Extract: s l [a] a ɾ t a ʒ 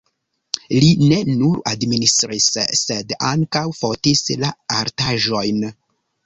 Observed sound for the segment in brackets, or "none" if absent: a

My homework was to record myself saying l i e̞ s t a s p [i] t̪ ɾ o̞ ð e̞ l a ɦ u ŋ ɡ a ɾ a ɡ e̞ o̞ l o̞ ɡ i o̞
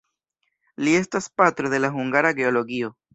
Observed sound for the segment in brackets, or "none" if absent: a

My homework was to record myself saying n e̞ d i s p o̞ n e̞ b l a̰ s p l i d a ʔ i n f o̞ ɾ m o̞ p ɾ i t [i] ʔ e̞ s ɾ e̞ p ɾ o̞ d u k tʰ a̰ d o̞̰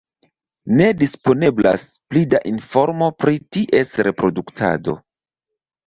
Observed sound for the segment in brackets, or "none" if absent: i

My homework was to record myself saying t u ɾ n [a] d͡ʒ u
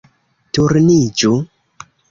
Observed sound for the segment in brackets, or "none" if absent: i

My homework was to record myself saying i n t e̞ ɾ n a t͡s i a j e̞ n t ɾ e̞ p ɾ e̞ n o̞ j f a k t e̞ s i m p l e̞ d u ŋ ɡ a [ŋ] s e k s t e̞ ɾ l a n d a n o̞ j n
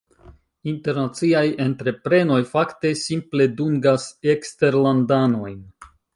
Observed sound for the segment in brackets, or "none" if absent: none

